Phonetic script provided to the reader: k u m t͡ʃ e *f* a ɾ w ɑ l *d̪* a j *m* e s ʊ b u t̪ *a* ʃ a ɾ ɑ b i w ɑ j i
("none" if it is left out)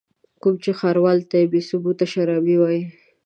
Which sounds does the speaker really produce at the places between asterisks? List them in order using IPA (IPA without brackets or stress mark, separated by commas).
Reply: x, t̪, b, a